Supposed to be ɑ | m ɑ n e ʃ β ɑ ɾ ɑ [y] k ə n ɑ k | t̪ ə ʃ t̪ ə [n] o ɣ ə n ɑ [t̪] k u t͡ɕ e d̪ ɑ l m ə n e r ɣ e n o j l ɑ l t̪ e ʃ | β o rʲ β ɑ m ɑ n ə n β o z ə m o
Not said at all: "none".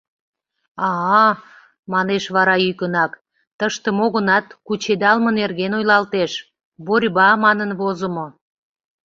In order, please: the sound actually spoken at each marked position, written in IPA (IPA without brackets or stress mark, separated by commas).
y, m, t̪